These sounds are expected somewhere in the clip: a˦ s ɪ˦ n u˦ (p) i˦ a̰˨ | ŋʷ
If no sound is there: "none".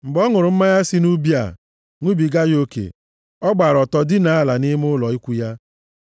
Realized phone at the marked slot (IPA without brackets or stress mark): b